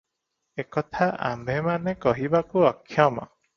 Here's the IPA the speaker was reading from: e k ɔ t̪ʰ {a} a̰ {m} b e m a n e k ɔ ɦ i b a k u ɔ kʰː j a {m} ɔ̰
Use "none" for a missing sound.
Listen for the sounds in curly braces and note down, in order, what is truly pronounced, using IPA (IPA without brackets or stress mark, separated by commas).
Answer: a, m, m